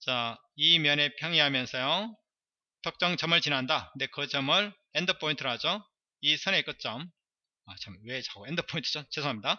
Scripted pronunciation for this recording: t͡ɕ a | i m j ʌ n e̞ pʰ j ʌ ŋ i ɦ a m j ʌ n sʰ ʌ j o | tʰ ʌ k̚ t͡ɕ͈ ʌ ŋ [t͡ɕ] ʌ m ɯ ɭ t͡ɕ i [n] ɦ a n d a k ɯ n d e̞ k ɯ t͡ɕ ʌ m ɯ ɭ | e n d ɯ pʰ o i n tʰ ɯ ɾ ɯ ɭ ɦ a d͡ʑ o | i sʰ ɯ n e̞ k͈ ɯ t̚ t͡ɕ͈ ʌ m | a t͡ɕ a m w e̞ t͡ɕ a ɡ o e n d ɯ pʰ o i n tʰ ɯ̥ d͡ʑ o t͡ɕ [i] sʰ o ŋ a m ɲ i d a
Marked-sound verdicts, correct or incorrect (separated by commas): correct, correct, incorrect